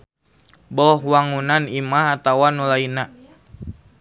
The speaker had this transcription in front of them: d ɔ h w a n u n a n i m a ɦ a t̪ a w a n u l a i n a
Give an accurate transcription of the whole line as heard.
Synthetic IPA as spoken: b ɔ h w a ŋ u n a n i m a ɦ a t̪ a w a n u l a i n a